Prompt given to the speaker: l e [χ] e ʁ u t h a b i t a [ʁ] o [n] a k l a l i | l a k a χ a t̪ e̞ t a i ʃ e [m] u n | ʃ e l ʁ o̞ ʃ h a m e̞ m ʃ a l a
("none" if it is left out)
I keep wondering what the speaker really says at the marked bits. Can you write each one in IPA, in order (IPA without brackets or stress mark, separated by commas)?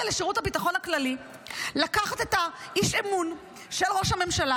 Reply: ʃ, χ, n, m